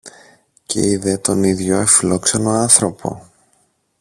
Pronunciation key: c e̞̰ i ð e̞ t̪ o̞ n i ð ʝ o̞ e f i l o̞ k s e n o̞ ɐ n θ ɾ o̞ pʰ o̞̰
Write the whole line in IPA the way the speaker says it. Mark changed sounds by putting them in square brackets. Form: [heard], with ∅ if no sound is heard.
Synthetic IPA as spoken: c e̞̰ i ð e̞ t̪ o̞ n i ð ʝ o̞ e f i l o̞ k s e n o̞ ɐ n θ ɾ o̞ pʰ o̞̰